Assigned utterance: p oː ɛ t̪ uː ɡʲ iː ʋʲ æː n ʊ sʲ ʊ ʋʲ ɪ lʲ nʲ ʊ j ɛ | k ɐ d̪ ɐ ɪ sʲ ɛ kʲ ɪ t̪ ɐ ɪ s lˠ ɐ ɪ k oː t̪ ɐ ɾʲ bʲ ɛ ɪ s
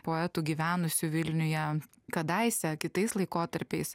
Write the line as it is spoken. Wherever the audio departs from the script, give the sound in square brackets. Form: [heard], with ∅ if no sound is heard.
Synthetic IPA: p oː ɛ t̪ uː ɡʲ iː ʋʲ æː n ʊ sʲ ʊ ʋʲ ɪ lʲ nʲ ʊ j ɛ | k ɐ d̪ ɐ ɪ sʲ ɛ kʲ ɪ t̪ ɐ ɪ s lˠ ɐ ɪ k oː t̪ ɐ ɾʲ [pʲ] ɛ ɪ s